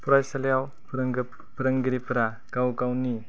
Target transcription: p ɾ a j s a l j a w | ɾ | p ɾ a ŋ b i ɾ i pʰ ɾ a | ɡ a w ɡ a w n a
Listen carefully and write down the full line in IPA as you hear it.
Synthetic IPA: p ɾ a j s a l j a w | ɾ | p ɾ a ŋ ɡ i ɾ i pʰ ɾ a | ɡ a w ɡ a w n i